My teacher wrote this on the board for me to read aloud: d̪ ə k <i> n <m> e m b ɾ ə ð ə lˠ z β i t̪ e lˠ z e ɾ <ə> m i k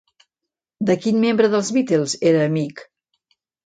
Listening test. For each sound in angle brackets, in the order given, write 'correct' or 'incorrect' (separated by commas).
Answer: correct, correct, incorrect